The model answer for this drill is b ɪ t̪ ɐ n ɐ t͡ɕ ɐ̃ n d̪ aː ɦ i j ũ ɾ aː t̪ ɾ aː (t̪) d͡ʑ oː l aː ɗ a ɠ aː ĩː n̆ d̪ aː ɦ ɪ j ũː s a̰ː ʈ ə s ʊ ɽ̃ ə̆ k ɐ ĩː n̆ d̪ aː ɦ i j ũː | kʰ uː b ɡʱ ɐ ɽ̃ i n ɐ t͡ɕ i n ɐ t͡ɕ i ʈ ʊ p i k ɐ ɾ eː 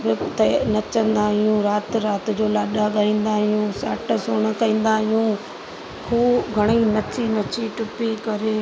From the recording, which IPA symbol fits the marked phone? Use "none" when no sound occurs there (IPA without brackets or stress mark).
t̪